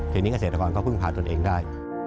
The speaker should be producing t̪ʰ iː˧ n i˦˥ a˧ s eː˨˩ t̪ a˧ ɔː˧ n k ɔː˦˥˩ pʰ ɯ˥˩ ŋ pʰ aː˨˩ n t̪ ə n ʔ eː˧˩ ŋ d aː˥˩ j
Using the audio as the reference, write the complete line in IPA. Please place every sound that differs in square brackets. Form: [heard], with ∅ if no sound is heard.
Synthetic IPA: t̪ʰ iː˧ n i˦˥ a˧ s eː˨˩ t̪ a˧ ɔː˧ n k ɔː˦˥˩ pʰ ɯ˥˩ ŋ pʰ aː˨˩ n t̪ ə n ʔ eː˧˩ ŋ d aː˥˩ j